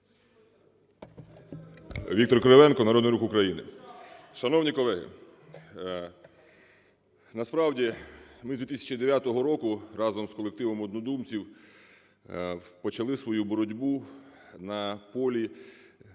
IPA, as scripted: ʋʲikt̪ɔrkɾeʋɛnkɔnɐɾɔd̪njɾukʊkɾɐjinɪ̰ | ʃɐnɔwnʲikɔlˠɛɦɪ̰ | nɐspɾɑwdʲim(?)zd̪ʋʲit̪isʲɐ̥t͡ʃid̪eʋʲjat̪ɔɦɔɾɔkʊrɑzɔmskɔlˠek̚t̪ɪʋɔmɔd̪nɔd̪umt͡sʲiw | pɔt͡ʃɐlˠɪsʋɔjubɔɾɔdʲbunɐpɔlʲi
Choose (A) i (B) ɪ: B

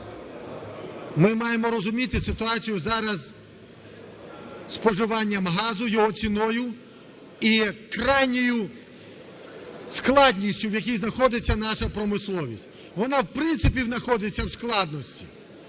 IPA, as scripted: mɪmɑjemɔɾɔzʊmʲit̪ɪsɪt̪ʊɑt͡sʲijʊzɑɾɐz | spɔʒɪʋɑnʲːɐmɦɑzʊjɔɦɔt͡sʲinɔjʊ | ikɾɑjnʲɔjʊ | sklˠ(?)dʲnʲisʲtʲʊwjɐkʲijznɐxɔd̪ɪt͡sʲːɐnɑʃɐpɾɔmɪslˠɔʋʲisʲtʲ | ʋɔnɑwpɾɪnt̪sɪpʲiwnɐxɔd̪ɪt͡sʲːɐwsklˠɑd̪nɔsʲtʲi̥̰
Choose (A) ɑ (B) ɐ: A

